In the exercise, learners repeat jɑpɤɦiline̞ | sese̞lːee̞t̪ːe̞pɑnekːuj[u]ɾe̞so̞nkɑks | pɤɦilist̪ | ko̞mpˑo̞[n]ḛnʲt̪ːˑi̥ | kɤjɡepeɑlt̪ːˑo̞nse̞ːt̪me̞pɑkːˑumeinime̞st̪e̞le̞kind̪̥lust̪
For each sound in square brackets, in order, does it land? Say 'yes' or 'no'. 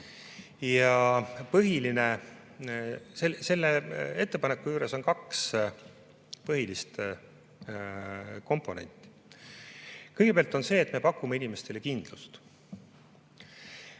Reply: no, yes

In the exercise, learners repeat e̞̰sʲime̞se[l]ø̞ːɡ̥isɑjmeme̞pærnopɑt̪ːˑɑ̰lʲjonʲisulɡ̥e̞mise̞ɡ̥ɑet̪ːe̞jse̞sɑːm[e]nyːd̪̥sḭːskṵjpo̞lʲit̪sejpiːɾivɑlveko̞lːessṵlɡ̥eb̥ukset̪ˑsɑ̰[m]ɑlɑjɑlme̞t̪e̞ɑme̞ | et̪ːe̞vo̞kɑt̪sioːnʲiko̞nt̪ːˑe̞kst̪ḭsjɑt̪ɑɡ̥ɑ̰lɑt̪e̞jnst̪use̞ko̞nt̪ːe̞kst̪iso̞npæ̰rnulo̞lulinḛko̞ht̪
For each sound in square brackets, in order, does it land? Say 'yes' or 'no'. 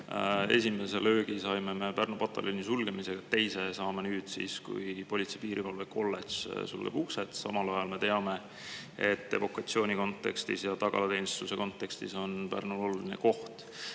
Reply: yes, yes, yes

